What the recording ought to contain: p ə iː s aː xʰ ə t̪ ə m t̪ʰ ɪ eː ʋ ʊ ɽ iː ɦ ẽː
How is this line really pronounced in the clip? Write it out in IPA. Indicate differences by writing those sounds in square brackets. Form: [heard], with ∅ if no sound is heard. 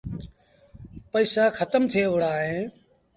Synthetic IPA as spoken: p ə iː s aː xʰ ə t̪ ə m t̪ʰ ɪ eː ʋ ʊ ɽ [aː] ɦ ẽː